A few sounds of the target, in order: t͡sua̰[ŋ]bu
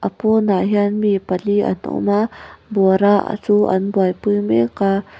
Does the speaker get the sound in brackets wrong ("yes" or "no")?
yes